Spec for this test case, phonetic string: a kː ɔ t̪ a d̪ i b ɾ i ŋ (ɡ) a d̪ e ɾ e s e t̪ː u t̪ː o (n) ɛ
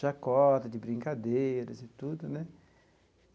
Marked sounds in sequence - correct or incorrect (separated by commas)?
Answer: incorrect, correct